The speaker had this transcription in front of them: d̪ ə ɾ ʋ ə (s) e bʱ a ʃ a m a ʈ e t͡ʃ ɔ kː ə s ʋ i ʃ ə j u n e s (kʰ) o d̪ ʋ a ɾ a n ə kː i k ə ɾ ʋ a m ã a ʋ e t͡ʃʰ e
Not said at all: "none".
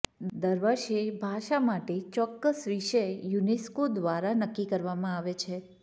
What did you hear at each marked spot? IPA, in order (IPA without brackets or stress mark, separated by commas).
ʃ, k